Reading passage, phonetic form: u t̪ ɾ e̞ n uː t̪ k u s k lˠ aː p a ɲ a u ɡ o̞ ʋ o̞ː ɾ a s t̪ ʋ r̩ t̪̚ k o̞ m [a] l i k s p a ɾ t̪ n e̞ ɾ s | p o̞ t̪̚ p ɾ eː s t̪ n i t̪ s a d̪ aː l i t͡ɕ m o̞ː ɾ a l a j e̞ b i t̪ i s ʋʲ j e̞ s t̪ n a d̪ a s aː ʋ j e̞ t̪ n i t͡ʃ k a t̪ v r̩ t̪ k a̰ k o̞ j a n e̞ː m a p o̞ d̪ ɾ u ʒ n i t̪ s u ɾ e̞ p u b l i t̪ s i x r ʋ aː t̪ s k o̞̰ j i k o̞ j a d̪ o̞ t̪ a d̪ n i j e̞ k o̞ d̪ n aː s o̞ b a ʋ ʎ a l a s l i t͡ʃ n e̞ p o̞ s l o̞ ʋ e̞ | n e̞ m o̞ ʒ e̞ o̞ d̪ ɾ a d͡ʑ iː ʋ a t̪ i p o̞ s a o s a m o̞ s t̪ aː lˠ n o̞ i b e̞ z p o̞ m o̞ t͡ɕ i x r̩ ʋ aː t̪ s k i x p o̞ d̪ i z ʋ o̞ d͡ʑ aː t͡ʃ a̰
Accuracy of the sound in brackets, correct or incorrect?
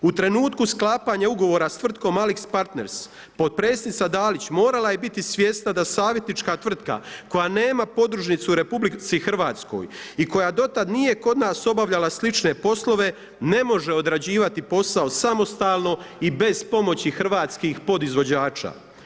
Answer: correct